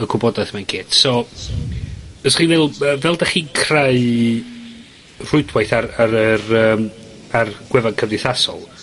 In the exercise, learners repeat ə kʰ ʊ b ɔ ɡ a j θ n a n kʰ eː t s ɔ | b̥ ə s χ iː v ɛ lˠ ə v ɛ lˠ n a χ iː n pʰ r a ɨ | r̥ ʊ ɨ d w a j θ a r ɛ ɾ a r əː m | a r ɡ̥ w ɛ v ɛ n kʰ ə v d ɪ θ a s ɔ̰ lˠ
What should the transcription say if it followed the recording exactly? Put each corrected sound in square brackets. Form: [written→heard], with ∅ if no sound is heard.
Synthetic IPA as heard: ə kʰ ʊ b ɔ [ɡ→d] a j θ [n→m] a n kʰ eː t s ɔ | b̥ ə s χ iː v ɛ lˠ ə v ɛ lˠ [n→d] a χ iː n [pʰ→kʰ] r a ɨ | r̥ ʊ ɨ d w a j θ a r [ɛ→a] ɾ [a→ə] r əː m | a r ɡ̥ w ɛ v [ɛ→a] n kʰ ə v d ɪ θ a s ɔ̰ lˠ